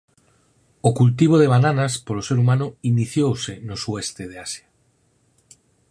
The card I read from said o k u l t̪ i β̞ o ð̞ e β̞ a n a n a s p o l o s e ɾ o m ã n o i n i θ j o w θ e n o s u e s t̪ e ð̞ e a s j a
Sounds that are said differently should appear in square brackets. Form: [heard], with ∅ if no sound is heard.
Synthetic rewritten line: o k u l t̪ i β̞ o ð̞ e β̞ a n a n a s p o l o s e ɾ [u] m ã n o i n i θ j o w [s] e n o s u e s t̪ e ð̞ e a s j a